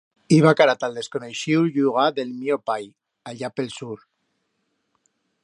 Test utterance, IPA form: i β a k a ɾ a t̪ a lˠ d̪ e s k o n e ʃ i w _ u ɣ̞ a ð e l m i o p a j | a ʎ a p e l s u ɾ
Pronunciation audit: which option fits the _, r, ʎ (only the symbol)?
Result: ʎ